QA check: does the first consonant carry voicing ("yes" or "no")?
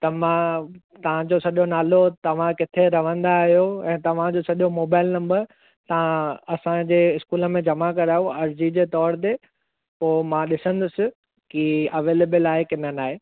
no